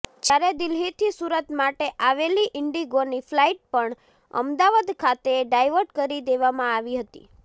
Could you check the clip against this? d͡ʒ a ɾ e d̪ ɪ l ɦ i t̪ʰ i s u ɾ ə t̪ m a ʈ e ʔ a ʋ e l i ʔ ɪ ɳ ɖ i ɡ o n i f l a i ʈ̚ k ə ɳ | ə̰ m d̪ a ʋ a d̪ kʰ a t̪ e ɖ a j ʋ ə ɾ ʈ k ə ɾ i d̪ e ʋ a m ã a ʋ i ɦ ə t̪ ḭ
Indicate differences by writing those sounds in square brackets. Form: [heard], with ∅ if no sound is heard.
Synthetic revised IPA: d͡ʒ a ɾ e d̪ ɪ l ɦ i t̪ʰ i s u ɾ ə t̪ m a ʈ e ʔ a ʋ e l i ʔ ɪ ɳ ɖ i ɡ o n i f l a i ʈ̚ [p] ə ɳ | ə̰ m d̪ a ʋ a d̪ kʰ a t̪ e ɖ a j ʋ ə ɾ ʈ k ə ɾ i d̪ e ʋ a m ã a ʋ i ɦ ə t̪ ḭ